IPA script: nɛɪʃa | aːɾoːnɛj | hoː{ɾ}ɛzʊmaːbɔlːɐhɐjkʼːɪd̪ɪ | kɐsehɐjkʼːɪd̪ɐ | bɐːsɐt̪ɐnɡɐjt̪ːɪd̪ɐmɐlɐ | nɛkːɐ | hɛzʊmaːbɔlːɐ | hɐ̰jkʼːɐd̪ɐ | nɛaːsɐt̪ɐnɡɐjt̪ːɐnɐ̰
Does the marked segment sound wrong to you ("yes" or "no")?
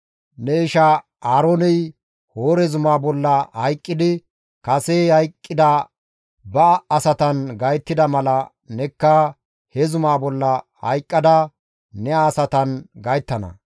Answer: no